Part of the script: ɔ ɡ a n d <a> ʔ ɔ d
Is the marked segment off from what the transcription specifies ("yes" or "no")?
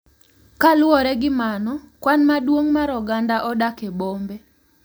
no